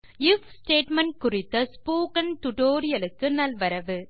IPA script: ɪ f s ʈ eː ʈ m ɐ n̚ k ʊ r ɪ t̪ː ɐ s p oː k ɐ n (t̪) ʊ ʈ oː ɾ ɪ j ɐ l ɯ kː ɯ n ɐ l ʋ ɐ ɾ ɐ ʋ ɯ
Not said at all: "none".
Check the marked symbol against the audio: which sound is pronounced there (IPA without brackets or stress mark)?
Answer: t̪